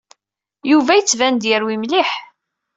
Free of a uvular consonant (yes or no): yes